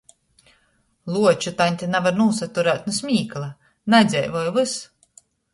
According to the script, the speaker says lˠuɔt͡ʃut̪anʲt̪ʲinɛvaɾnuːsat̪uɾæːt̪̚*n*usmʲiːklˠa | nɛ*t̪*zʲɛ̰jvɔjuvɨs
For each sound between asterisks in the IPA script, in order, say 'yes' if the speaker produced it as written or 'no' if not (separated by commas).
yes, no